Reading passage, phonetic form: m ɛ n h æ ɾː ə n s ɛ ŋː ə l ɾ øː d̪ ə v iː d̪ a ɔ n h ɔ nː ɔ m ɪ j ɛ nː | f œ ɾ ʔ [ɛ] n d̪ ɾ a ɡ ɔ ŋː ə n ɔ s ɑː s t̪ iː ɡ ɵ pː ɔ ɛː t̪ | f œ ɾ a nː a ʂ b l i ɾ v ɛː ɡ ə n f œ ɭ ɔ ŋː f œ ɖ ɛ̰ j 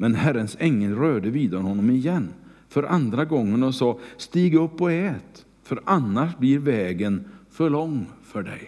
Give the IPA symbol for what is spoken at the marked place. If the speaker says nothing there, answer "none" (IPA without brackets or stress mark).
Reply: a